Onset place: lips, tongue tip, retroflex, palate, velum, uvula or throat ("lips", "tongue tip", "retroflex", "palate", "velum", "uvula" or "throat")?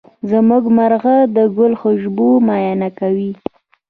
tongue tip